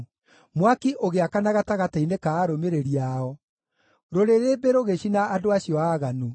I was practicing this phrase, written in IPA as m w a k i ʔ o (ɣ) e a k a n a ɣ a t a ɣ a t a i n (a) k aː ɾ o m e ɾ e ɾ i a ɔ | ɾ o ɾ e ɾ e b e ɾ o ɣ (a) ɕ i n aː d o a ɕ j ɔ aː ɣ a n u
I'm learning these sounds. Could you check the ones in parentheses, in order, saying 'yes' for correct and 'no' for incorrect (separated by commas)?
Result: yes, no, no